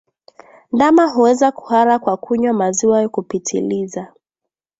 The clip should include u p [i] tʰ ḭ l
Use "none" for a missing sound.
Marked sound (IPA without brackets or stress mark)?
i